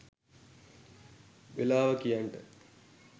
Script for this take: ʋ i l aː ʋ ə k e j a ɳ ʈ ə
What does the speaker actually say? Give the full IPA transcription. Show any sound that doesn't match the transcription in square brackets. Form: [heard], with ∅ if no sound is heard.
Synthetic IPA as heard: ʋ [e] l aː ʋ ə k [i] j a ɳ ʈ ə

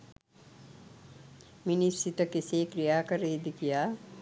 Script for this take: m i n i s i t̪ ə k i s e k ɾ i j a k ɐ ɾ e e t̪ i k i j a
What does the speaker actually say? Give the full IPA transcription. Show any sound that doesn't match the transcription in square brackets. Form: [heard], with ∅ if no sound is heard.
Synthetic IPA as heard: m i n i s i t̪ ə k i s e k ɾ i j a k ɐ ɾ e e [d̪] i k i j a

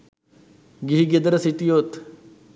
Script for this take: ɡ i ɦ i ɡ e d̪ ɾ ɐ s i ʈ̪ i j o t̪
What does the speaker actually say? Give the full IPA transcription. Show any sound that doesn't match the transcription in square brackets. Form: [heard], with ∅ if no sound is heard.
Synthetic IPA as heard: ɡ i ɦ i ɡ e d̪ ɾ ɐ s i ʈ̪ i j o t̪

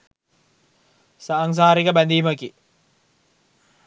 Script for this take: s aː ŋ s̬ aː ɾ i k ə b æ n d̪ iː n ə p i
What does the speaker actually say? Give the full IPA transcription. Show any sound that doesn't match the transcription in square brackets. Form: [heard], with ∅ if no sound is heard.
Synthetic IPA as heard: s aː ŋ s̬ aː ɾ i k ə b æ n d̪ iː [m] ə [k] i

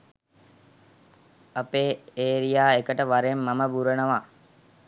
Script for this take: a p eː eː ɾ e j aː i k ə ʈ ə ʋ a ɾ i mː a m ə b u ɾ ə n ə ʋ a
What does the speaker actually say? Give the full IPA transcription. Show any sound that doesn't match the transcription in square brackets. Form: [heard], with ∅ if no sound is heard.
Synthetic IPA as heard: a p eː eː ɾ [i] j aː [e] k ə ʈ ə ʋ a ɾ [e] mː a m ə b u ɾ ə n ə ʋ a

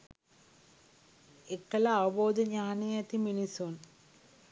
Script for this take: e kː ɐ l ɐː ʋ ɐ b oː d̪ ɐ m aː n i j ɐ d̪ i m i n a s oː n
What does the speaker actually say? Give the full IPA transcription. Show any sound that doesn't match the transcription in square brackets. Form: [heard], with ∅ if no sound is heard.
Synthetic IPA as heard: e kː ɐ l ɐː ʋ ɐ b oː d̪ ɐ [ɲ] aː n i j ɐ [t̪] i m i n [i] s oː n

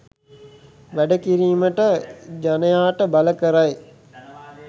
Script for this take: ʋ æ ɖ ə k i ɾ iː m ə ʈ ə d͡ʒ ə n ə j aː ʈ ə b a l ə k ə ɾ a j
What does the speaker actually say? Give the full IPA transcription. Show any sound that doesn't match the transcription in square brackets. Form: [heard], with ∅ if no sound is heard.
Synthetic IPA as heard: ʋ æ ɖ ə k i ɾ iː m ə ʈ ə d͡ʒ [a] n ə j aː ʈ ə b a l ə k ə ɾ a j

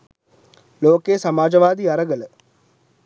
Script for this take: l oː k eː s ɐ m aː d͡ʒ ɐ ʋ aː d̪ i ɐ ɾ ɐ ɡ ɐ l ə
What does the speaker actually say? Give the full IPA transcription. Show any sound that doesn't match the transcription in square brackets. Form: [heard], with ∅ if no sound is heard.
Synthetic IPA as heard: l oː k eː s ɐ m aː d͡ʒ ɐ ʋ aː d̪ i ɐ ɾ ɐ ɡ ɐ l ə

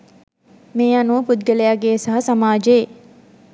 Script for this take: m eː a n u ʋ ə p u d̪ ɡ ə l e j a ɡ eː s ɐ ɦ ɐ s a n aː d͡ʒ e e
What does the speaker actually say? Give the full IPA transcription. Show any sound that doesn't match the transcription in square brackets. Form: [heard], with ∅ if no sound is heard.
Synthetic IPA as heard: m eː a n u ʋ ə p u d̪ ɡ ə l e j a ɡ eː s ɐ ɦ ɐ s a [m] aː d͡ʒ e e

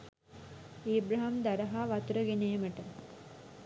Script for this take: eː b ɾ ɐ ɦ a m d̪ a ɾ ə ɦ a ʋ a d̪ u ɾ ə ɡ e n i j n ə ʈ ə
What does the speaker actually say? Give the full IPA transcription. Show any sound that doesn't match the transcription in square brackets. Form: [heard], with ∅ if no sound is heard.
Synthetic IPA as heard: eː b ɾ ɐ ɦ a m d̪ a ɾ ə ɦ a ʋ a [t̪] u ɾ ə ɡ e n [e] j [m] ə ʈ ə

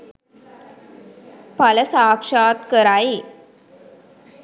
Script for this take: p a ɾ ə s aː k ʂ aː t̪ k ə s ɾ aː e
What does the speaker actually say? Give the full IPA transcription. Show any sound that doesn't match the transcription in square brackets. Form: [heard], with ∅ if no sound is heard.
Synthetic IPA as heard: p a [l] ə s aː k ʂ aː t̪ k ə [∅] ɾ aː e

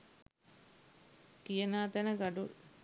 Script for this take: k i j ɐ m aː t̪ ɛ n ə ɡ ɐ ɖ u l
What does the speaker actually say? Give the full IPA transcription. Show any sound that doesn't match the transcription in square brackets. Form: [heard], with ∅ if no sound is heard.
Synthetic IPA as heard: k i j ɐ [n] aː t̪ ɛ n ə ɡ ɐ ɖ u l

